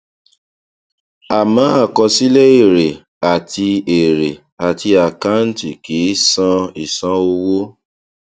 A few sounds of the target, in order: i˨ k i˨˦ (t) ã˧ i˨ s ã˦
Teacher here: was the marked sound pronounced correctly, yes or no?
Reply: no